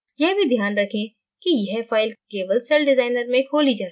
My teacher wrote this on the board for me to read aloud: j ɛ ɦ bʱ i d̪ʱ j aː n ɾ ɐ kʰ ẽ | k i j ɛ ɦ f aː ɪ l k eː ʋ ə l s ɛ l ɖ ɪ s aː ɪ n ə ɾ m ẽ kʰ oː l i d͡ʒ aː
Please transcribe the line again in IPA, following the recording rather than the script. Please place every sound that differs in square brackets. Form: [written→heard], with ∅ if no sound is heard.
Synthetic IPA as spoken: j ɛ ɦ bʱ i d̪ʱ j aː n ɾ ɐ kʰ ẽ | k i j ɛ ɦ f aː ɪ l k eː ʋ ə l s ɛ l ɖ ɪ [s→z] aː ɪ n ə ɾ m ẽ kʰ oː l i d͡ʒ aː